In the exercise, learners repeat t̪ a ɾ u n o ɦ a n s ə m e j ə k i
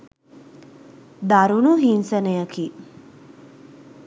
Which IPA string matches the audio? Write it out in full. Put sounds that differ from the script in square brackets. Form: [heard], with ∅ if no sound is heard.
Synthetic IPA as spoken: [d̪] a ɾ u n [u] ɦ [i] n s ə [n] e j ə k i